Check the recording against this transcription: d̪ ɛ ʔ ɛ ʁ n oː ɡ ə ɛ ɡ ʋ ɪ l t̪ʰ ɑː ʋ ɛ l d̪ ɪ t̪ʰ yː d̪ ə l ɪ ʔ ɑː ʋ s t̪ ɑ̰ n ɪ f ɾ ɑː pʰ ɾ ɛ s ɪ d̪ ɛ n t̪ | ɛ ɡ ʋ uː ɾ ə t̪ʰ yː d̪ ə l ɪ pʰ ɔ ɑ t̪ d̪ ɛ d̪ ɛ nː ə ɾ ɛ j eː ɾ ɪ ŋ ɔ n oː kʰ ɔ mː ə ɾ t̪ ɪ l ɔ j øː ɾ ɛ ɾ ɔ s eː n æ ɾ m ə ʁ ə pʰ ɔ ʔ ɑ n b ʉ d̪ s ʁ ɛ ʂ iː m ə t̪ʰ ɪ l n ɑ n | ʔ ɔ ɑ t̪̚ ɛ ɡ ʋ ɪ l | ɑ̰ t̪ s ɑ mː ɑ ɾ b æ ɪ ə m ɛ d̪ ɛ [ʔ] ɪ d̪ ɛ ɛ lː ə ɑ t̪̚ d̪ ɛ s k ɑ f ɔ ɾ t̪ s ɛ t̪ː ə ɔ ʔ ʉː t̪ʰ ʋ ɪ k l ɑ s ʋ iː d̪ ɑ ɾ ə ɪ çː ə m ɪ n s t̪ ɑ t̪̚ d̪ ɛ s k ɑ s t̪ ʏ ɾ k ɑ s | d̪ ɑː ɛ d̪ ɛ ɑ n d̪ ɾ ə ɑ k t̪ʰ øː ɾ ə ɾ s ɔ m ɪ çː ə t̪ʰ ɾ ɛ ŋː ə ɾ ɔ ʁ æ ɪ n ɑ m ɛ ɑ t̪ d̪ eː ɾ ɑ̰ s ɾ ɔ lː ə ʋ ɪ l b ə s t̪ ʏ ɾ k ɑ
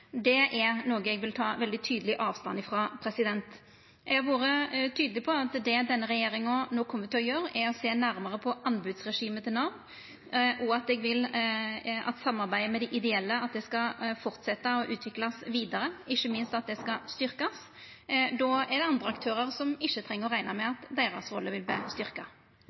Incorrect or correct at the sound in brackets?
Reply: correct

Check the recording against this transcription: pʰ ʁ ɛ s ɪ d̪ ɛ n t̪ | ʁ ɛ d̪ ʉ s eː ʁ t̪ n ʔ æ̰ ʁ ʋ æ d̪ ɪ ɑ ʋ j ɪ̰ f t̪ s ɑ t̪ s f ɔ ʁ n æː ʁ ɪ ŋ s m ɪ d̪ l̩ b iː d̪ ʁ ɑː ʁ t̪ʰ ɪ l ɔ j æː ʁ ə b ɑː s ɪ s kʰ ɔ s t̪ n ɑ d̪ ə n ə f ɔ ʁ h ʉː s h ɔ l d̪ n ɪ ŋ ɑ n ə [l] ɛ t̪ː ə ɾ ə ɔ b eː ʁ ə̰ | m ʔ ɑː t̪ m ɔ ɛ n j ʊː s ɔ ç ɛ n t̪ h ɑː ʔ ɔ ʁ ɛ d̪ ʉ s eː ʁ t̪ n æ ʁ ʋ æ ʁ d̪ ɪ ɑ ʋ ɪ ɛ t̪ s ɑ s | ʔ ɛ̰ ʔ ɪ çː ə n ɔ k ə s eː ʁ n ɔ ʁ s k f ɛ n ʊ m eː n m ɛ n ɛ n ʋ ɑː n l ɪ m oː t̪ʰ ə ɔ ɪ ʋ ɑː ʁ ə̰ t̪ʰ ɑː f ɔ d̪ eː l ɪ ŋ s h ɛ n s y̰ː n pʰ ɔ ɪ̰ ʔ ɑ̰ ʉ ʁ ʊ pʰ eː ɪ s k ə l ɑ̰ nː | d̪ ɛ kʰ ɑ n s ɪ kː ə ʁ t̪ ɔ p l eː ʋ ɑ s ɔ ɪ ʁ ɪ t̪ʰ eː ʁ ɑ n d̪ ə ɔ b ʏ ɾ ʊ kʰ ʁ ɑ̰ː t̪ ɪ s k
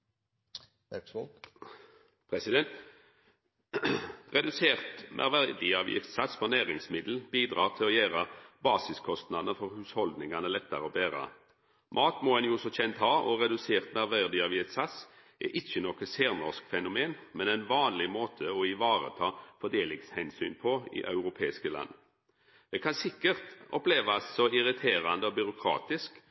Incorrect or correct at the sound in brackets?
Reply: correct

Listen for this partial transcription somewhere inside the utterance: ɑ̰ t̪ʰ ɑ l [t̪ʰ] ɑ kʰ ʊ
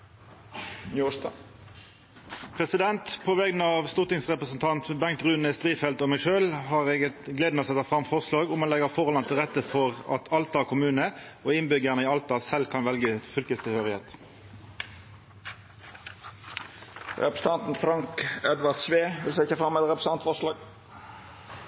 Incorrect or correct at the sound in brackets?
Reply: incorrect: t̪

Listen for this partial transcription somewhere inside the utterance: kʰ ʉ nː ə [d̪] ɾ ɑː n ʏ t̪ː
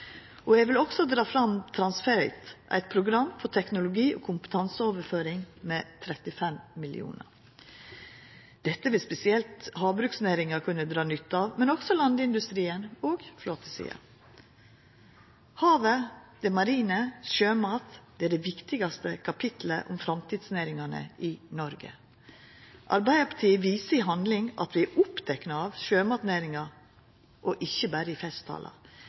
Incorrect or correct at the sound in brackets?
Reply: correct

